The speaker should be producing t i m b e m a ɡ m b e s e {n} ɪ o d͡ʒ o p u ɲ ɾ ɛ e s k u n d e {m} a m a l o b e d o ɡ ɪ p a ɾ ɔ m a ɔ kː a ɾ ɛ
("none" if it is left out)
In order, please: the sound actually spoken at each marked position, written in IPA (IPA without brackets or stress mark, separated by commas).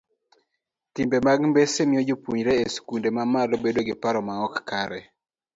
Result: m, m